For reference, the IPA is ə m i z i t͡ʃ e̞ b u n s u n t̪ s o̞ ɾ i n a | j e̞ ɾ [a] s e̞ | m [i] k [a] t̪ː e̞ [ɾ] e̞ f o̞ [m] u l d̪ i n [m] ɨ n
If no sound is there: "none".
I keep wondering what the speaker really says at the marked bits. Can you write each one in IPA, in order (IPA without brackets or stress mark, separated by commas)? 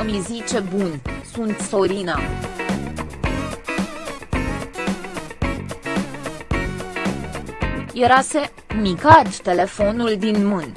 a, i, a, l, n, m